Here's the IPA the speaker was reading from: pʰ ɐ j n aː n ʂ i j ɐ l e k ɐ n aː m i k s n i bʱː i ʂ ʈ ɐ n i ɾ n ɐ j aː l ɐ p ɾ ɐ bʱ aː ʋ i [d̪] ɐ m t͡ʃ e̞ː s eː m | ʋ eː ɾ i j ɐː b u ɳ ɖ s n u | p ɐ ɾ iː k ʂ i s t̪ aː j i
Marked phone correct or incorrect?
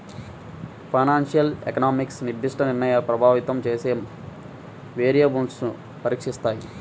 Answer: incorrect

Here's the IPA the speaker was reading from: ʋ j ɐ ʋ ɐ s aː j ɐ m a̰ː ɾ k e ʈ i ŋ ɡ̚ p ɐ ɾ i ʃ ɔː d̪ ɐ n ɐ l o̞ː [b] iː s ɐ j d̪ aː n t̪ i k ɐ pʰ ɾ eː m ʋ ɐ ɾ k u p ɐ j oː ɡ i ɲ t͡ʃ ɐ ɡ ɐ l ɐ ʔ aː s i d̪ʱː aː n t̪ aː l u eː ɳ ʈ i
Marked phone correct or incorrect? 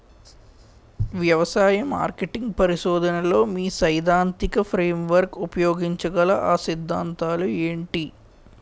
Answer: incorrect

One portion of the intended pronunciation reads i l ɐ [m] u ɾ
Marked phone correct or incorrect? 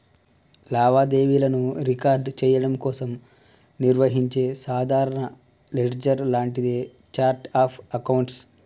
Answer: incorrect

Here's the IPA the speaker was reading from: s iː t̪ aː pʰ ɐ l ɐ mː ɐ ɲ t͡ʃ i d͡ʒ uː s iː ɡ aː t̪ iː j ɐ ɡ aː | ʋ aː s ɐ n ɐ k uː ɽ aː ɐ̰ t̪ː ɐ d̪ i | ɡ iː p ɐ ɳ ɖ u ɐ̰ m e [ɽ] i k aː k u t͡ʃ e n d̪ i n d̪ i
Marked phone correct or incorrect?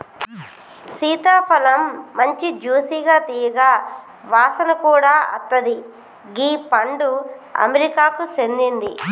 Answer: incorrect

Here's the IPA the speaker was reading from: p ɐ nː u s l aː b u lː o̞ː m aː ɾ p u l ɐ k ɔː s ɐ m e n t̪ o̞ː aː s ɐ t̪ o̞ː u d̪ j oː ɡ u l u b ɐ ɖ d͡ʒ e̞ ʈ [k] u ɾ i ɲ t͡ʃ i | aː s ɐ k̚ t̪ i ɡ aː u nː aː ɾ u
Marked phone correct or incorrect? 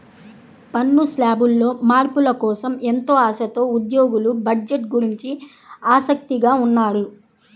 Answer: incorrect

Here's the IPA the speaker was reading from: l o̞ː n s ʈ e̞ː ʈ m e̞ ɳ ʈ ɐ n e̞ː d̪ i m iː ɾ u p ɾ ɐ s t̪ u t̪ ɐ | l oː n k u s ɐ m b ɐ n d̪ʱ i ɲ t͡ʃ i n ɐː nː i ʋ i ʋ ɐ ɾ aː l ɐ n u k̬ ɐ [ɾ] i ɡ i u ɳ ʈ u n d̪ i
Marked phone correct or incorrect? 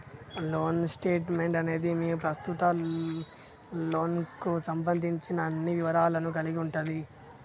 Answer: incorrect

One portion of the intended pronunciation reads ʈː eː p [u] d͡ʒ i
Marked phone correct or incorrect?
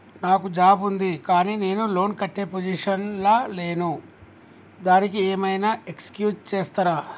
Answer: incorrect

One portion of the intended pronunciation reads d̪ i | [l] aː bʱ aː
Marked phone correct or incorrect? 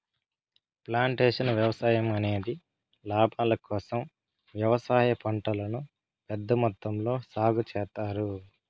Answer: correct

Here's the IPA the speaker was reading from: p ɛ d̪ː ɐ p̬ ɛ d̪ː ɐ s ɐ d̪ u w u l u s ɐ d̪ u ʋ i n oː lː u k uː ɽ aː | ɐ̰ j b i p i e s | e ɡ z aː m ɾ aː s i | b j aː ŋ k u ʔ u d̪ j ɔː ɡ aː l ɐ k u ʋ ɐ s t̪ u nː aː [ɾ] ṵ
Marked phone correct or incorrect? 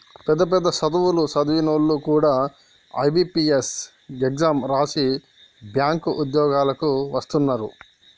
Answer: correct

